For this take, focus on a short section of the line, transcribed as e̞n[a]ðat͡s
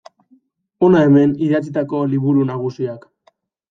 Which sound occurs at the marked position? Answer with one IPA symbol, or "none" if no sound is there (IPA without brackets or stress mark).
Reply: i